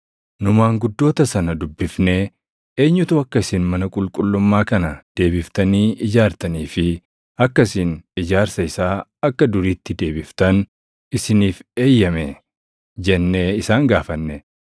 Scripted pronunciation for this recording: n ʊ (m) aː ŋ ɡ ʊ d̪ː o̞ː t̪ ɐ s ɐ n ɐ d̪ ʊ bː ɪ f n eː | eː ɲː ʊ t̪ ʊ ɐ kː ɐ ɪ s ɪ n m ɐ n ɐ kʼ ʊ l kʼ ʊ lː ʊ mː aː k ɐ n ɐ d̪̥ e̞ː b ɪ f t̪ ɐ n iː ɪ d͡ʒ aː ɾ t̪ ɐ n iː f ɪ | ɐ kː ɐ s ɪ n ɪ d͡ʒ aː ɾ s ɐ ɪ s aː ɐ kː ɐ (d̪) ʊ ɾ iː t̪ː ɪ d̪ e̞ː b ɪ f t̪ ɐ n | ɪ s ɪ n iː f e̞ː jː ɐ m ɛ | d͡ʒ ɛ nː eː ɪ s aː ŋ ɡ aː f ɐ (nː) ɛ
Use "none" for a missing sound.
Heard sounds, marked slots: m, d̪, nː

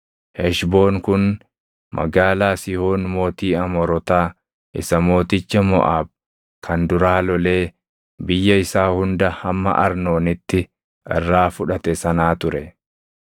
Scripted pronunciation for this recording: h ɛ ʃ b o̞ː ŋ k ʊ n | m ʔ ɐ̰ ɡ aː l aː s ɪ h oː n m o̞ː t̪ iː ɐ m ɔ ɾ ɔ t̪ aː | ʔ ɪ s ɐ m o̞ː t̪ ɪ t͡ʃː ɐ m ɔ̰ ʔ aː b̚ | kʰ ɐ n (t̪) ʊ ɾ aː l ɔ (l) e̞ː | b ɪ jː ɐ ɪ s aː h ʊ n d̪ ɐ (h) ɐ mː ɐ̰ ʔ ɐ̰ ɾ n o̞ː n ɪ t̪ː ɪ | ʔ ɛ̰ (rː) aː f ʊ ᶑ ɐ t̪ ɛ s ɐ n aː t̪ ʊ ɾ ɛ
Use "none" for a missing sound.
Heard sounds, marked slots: d̪, l, h, rː

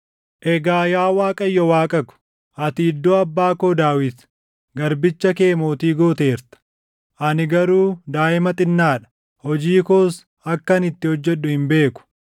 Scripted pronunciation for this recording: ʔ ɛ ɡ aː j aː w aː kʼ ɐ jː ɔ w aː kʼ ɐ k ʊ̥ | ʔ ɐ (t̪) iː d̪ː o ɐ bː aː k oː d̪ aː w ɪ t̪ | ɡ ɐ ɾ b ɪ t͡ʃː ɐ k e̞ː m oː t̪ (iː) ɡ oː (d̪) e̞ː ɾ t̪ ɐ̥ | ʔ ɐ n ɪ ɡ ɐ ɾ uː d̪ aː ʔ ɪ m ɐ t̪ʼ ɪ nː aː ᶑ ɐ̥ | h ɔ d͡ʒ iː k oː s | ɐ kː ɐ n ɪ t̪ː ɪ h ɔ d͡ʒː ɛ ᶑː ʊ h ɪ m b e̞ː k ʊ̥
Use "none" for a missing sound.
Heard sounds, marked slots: t̪, iː, t̪

